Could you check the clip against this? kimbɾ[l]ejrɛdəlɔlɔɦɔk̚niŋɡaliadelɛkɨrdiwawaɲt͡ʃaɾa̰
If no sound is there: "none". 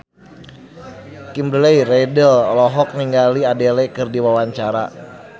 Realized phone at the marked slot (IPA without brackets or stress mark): l